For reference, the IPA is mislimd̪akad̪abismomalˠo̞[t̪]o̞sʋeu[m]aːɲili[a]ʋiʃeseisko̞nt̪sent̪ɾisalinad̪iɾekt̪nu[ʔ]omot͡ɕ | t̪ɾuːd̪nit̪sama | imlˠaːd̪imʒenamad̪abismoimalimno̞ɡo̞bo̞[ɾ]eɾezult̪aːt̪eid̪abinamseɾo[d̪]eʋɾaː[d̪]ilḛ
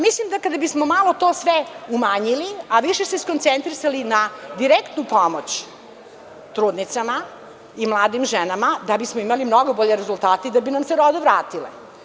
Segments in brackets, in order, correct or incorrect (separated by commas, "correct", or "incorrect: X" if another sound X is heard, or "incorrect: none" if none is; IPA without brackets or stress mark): correct, correct, correct, incorrect: p, incorrect: ʎ, correct, incorrect: t̪